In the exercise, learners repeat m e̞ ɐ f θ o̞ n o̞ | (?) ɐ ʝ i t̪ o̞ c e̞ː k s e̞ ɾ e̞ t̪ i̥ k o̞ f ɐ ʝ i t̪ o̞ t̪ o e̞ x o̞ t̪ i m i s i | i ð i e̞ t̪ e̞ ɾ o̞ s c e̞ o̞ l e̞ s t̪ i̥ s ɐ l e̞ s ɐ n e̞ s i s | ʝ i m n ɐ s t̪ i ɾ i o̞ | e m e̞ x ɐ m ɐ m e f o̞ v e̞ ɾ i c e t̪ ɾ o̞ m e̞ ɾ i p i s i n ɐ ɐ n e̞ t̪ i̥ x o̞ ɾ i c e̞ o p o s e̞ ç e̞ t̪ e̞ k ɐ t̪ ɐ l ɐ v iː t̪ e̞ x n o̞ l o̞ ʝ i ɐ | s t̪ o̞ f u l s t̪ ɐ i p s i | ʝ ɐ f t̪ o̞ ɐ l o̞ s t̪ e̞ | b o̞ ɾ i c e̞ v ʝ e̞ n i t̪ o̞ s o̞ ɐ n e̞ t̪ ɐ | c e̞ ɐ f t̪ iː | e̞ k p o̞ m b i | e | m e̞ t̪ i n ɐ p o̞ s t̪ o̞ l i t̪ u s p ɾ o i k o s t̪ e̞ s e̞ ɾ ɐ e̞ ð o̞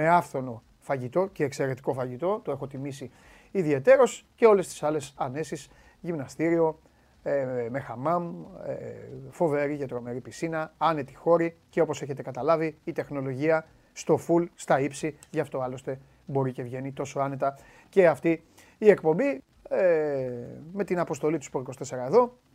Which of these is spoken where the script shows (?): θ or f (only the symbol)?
f